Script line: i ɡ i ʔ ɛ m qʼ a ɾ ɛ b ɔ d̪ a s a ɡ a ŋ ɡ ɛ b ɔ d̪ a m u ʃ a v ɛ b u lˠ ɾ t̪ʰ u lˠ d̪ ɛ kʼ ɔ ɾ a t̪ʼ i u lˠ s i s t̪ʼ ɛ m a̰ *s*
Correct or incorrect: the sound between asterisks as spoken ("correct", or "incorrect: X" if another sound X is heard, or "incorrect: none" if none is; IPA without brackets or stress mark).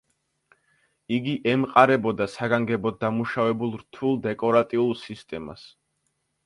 correct